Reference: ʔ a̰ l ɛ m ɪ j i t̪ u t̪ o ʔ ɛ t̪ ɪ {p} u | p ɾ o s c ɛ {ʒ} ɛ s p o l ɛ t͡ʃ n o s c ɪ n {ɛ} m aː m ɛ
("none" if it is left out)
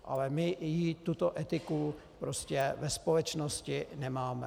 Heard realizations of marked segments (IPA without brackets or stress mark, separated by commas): k, v, ɛ